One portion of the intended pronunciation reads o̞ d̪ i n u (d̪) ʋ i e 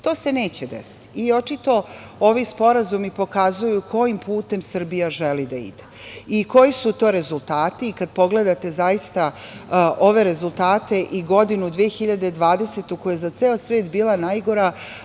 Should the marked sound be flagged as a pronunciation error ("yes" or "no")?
no